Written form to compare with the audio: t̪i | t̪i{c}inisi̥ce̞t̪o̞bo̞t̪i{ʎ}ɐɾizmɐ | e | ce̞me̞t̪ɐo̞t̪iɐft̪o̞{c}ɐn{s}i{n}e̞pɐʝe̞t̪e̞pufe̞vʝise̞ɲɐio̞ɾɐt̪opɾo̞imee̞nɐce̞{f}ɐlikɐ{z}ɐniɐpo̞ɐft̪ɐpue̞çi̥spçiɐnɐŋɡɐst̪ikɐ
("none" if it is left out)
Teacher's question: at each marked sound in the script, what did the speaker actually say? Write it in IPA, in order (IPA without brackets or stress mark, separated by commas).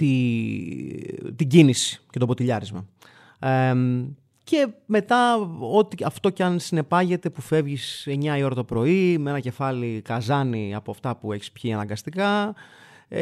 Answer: ɟ, ʎ, c, s, n, f, z